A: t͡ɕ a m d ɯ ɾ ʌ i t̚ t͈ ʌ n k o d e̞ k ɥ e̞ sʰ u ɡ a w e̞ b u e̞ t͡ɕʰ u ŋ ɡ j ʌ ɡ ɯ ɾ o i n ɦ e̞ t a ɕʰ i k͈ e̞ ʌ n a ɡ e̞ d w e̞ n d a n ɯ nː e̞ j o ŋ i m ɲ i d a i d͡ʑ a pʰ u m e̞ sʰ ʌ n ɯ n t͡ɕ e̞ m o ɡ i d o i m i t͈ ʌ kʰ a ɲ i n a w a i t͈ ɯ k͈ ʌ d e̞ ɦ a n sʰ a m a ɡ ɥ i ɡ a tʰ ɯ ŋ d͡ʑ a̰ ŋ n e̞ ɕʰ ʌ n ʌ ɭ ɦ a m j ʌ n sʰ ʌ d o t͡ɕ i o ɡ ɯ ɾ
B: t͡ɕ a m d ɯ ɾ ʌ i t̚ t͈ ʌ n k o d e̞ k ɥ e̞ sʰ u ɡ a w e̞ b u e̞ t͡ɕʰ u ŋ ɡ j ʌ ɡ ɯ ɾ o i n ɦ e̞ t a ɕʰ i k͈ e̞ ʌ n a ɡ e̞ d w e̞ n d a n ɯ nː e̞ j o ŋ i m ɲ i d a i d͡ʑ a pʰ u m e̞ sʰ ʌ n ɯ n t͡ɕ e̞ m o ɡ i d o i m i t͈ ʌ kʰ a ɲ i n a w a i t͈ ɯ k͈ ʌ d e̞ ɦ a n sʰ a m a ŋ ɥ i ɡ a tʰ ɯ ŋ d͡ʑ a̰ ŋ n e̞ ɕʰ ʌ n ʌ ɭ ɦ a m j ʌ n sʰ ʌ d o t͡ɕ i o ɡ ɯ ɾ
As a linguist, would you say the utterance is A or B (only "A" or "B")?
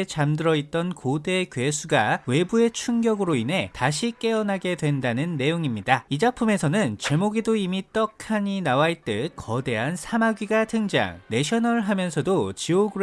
A